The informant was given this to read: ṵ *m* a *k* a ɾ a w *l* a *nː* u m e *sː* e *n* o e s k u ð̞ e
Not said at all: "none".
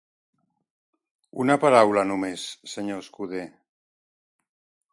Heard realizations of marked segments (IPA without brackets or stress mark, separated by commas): n, p, l, n, sː, ɲ